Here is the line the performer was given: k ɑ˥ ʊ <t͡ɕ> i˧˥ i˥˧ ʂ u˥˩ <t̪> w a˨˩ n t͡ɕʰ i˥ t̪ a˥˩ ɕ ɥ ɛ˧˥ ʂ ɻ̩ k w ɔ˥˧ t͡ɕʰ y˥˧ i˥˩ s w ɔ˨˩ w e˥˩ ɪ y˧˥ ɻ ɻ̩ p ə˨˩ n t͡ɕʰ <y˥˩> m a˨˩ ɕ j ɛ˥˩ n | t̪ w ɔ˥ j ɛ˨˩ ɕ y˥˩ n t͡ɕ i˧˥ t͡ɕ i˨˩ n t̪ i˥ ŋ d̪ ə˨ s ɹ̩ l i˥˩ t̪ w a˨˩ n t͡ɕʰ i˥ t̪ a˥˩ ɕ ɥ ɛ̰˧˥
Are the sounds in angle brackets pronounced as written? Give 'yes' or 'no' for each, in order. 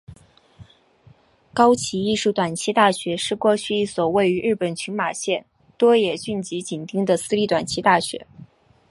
no, yes, no

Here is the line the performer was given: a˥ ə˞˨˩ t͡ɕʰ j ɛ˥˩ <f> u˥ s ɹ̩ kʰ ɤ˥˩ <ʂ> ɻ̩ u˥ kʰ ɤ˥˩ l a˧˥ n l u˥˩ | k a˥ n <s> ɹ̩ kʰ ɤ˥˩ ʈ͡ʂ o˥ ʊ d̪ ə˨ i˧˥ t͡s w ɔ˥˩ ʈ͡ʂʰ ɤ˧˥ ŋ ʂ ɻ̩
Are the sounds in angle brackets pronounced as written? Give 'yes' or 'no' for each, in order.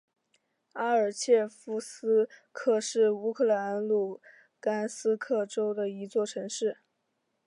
yes, yes, yes

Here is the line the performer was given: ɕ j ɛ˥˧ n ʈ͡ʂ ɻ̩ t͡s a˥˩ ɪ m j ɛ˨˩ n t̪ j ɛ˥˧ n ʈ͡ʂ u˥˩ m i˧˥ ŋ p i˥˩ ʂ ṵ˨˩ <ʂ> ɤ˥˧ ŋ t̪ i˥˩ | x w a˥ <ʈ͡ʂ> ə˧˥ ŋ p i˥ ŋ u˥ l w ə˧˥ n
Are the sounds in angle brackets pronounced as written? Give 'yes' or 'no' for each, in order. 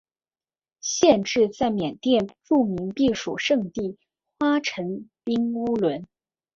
yes, no

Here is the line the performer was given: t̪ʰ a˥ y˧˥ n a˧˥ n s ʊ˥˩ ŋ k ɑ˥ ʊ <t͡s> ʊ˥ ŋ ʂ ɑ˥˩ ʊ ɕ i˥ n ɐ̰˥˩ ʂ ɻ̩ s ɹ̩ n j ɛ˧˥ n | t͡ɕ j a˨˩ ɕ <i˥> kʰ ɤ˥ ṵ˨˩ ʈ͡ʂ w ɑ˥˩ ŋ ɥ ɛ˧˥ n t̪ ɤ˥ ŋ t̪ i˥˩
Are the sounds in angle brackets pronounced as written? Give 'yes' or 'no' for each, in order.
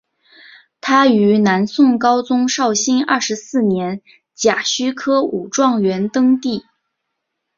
yes, no

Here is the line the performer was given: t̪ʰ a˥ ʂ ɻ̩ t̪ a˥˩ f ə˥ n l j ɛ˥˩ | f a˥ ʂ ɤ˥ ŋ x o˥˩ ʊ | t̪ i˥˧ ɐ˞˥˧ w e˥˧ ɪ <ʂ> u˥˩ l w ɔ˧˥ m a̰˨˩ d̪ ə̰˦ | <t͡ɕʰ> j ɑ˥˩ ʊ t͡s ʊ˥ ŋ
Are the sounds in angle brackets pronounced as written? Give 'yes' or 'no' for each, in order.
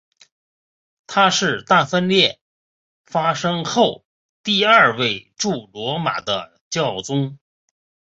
no, no

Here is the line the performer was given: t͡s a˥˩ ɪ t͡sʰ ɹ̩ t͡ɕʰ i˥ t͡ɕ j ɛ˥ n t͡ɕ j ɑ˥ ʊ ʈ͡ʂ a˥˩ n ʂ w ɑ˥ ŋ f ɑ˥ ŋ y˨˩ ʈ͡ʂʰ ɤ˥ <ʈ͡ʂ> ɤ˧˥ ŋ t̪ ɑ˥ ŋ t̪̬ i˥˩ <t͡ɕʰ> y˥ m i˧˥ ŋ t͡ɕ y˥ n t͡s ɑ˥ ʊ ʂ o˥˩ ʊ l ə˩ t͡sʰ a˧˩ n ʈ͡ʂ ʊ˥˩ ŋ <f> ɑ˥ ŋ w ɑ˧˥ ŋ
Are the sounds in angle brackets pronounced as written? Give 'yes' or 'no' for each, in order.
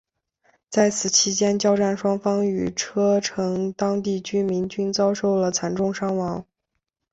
no, no, no

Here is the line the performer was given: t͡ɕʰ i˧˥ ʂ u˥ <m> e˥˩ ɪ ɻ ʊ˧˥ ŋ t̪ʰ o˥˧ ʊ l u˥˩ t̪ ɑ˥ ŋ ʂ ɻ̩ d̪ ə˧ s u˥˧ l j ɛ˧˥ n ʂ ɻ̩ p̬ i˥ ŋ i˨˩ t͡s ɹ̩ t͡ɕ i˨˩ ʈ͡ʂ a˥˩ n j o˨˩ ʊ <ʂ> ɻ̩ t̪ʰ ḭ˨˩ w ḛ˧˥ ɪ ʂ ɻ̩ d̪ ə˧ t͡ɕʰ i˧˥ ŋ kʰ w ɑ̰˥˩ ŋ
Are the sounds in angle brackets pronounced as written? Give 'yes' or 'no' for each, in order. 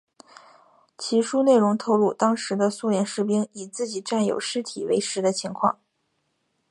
no, yes

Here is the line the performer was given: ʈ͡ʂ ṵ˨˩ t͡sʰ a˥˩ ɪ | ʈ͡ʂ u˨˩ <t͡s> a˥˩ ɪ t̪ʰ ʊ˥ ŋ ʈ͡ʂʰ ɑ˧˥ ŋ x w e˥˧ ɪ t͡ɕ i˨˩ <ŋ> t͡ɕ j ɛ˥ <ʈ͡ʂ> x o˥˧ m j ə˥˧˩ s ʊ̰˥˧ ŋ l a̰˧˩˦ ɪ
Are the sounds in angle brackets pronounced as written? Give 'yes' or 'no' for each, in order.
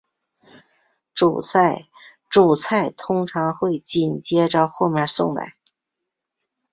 no, no, yes

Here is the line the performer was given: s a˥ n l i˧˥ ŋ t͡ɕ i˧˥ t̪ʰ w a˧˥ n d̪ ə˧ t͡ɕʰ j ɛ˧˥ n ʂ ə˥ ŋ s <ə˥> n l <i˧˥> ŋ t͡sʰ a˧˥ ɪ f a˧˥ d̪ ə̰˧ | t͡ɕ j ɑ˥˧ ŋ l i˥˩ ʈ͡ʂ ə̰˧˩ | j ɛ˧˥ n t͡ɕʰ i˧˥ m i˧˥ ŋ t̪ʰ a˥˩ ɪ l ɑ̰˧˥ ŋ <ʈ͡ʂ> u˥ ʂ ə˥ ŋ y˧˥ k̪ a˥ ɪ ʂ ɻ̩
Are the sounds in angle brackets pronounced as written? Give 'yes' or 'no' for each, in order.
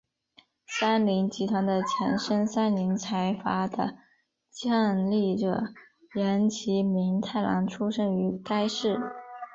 no, yes, no

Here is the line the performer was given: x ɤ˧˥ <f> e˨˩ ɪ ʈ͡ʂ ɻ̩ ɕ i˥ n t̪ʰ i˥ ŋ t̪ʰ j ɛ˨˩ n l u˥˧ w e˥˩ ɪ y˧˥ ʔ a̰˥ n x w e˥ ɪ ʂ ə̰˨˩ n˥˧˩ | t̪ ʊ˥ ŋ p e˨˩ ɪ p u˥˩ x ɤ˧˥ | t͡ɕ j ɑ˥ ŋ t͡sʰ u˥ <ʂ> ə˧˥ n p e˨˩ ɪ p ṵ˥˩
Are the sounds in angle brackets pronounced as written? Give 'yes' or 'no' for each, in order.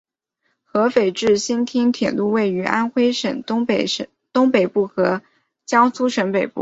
yes, yes

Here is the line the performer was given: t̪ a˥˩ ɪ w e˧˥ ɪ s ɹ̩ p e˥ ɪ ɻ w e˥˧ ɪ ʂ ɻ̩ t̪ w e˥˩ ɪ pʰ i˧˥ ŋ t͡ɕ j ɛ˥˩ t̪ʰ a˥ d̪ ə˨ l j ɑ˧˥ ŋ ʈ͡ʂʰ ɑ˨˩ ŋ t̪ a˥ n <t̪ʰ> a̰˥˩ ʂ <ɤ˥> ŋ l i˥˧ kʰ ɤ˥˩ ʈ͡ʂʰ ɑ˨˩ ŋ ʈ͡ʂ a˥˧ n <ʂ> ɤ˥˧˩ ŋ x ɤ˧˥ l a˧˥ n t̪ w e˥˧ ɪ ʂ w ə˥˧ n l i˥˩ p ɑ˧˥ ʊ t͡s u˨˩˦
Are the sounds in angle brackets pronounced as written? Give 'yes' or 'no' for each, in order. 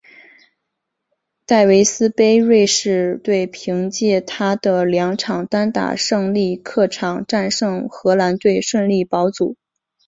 no, no, yes

